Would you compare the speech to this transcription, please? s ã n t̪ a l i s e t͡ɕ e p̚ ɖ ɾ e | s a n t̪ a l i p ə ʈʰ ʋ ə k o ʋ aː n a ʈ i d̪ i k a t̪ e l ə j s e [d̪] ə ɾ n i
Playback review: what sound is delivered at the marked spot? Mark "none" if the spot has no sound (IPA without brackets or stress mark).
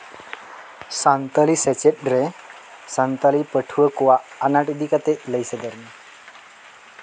d̪